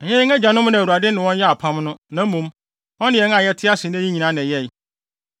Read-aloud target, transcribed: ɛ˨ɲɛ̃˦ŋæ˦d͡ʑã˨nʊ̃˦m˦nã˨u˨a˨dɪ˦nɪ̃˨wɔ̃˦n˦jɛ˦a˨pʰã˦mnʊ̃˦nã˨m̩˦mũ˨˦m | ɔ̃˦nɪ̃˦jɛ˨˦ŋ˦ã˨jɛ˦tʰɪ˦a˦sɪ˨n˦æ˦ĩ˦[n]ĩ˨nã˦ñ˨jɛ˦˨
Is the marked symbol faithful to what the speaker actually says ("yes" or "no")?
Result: no